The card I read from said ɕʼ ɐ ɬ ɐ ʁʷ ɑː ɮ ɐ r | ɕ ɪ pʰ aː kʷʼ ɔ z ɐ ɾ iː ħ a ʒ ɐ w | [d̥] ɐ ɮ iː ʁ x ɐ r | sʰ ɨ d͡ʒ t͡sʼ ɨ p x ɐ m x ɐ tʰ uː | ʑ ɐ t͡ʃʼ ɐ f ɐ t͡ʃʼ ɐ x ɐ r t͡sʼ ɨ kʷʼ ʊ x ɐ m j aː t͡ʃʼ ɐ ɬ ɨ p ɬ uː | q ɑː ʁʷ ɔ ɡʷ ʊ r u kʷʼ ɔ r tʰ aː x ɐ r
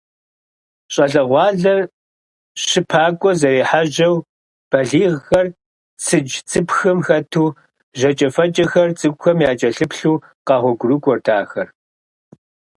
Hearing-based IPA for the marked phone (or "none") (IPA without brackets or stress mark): b̥